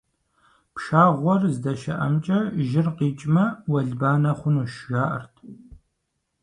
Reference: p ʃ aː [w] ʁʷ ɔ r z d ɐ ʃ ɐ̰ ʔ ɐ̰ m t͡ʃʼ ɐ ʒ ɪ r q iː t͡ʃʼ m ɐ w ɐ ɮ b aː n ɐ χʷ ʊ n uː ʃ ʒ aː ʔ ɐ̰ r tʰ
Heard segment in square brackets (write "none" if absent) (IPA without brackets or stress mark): none